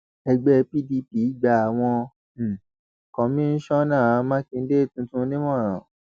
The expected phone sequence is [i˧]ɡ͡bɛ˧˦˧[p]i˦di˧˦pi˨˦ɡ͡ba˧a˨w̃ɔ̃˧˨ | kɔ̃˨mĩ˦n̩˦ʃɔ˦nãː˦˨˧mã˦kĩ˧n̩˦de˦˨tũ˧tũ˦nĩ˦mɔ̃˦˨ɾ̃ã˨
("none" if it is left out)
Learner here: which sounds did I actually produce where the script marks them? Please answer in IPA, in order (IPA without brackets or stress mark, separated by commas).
ɛ˧, p